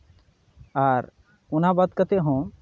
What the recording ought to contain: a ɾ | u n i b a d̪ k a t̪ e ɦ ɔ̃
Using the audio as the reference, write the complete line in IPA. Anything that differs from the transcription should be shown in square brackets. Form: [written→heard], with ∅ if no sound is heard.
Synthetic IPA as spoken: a ɾ | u n [i→a] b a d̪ k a t̪ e ɦ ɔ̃